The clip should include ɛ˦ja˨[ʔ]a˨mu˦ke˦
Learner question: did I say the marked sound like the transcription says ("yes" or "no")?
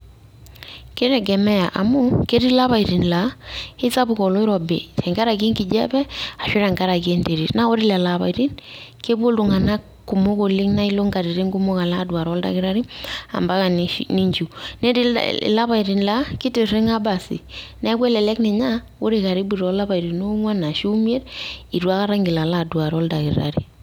yes